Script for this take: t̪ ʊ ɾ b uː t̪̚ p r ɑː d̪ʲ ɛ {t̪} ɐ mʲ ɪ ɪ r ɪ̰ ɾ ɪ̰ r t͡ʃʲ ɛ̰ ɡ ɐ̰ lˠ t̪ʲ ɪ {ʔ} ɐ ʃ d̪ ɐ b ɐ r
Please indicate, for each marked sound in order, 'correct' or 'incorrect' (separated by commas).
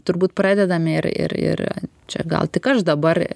incorrect, incorrect